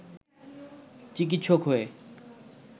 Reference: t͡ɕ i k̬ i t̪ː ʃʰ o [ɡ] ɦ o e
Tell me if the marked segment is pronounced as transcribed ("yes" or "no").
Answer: no